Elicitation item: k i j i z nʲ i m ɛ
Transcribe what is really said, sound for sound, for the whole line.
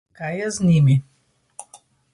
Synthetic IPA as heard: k a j ɛ z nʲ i m i